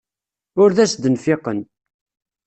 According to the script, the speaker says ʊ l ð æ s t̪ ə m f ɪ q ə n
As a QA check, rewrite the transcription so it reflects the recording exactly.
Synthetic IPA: ʊ ɾ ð æ s d̪ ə n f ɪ q ə n